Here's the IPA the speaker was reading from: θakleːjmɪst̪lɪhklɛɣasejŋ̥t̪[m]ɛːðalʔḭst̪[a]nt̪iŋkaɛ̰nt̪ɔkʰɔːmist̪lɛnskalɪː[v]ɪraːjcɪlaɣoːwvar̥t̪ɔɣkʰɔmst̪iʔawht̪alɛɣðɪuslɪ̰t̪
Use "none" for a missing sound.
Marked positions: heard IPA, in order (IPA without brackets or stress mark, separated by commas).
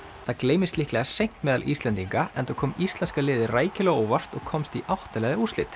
m, ɛ, ð